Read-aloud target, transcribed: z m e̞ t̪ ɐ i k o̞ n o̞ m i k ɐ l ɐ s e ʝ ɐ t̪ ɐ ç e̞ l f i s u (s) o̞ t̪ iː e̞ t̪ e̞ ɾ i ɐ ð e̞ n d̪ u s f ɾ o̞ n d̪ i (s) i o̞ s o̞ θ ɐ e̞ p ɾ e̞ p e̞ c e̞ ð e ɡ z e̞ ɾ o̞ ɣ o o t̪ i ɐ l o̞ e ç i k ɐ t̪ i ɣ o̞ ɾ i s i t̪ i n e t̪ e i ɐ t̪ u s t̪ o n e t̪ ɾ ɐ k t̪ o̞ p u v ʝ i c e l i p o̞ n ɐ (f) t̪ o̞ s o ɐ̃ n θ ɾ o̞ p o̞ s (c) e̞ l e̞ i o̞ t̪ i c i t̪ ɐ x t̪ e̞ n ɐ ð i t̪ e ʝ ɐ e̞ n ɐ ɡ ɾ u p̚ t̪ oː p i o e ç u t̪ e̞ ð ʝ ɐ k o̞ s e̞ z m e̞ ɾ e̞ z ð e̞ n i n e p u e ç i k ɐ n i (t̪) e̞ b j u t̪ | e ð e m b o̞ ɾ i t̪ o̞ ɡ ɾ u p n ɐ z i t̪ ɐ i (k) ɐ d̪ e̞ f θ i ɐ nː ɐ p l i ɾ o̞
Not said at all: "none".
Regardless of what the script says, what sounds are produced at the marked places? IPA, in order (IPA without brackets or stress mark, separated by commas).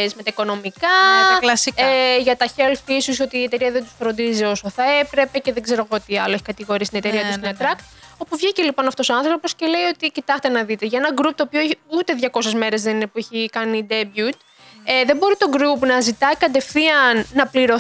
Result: s, z, f, c, d̪, k